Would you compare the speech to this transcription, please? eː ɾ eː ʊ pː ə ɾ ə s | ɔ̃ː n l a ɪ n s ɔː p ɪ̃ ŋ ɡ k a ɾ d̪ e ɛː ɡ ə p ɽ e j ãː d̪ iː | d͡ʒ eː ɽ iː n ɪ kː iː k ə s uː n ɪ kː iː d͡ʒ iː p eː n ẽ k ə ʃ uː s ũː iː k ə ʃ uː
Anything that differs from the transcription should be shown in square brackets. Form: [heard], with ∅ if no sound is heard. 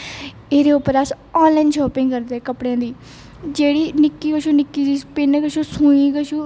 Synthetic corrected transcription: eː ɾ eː ʊ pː ə ɾ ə s | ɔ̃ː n l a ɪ n [ʃ] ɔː p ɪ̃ ŋ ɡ k [ə] ɾ d̪ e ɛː [k] ə p ɽ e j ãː d̪ iː | d͡ʒ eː ɽ iː n ɪ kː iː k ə [ʃ] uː n ɪ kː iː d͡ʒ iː p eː n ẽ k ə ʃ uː s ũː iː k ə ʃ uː